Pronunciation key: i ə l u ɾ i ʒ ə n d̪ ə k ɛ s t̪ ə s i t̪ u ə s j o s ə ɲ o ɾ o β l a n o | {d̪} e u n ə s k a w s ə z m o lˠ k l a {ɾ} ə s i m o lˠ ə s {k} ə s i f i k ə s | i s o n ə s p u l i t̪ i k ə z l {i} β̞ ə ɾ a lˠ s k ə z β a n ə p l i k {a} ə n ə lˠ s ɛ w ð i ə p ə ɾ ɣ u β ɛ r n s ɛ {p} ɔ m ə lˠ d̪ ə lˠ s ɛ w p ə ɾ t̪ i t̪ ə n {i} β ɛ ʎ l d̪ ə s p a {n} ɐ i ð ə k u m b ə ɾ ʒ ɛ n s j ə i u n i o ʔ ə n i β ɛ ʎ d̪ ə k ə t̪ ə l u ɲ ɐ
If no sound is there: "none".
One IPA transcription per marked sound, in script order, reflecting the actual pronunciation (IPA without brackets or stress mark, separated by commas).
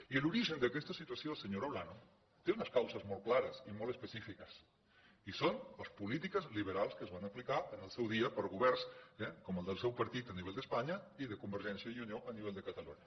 t̪, ɾ, p, i, a, k, i, ɲ